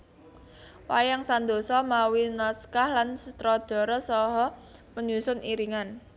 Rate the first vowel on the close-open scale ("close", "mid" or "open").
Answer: open